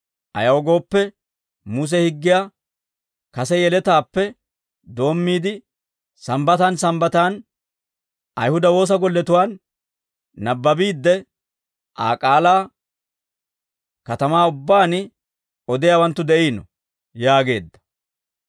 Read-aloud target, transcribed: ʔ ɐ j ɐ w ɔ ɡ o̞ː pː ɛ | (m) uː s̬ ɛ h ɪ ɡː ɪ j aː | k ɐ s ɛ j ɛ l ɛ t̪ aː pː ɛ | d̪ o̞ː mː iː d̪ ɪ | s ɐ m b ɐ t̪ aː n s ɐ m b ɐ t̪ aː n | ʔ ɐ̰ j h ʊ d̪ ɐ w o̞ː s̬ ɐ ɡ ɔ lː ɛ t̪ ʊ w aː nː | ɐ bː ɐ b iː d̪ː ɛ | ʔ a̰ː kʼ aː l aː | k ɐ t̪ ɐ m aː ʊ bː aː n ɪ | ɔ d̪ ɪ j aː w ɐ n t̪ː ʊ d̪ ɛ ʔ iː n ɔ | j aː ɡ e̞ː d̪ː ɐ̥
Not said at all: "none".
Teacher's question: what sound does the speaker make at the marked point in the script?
m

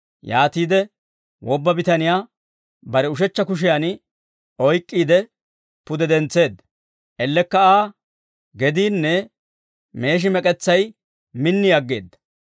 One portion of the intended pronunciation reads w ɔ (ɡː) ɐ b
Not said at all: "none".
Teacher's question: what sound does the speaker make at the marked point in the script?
bː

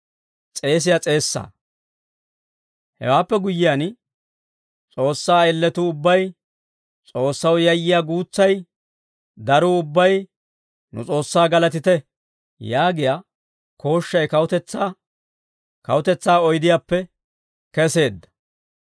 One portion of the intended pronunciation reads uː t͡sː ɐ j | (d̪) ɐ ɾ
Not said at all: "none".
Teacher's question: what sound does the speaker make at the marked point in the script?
d̪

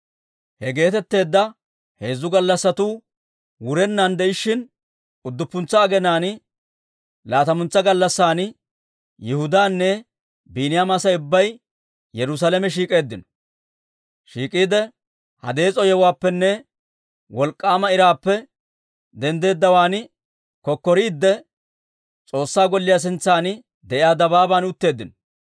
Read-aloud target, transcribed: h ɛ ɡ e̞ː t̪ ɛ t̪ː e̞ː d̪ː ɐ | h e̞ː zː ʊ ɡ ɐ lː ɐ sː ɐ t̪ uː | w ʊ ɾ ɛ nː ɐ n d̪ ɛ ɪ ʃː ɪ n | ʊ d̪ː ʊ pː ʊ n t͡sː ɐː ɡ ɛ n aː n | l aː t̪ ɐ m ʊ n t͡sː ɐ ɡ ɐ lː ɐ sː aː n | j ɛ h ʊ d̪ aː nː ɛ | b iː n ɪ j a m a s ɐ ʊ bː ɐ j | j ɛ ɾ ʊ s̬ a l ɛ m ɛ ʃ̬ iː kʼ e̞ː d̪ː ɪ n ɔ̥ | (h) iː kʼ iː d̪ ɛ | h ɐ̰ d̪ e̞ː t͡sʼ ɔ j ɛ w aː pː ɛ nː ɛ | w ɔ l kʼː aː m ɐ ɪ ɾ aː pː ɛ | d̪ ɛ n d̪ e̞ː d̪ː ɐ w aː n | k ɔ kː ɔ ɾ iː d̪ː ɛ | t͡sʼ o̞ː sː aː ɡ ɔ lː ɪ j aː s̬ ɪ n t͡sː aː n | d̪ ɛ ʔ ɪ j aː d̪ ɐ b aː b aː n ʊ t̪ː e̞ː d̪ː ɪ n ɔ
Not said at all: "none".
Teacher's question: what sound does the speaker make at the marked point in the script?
ʃ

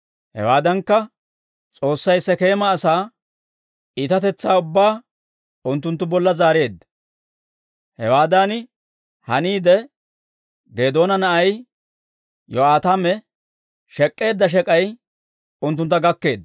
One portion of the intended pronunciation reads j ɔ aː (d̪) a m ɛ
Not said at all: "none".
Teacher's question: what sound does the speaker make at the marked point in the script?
t̪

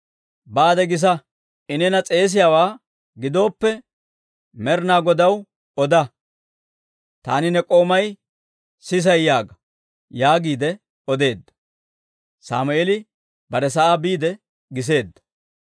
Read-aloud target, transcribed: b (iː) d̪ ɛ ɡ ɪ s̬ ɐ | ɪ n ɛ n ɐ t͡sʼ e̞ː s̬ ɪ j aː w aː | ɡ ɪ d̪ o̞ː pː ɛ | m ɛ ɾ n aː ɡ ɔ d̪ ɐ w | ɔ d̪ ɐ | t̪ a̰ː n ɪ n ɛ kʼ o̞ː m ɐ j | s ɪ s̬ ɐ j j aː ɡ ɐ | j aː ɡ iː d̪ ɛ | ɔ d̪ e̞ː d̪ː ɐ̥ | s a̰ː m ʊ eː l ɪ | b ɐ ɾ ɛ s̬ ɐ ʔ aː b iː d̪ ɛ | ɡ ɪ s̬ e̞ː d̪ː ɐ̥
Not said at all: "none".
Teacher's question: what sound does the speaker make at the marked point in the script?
aː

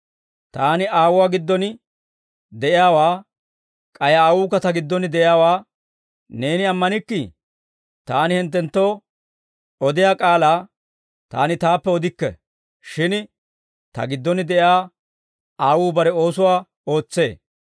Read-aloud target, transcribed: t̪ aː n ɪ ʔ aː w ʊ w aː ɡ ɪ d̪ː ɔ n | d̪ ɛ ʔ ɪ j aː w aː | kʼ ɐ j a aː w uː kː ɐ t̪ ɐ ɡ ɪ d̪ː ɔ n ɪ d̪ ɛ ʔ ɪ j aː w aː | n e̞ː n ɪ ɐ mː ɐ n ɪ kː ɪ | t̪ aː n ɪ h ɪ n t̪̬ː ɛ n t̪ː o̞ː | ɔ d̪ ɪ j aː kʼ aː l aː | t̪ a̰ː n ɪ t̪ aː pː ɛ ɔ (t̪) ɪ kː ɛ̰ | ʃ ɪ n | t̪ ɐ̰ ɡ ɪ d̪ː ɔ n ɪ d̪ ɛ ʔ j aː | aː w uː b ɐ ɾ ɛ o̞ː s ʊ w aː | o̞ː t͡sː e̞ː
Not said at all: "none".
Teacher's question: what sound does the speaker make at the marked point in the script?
d̪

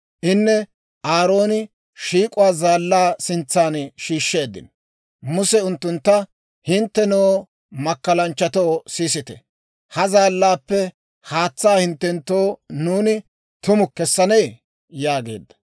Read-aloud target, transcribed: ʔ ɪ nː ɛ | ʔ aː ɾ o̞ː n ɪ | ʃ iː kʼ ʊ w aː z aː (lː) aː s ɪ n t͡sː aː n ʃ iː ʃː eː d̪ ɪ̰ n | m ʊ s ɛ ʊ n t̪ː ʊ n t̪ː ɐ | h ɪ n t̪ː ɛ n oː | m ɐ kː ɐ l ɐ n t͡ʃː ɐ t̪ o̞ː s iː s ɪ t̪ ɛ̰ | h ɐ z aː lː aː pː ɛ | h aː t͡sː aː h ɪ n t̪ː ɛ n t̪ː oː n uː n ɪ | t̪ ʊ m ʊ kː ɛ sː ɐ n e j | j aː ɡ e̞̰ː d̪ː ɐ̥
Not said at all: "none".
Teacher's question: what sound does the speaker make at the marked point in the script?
lː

